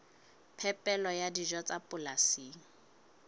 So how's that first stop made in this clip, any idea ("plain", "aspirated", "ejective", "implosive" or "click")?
aspirated